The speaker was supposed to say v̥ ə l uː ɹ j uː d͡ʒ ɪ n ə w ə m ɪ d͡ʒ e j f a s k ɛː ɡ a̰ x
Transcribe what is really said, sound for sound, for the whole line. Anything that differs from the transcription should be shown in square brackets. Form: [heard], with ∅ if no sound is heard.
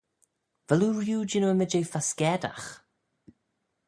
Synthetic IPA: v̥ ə l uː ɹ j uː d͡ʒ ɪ n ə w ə m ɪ d͡ʒ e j f a s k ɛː [d] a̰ x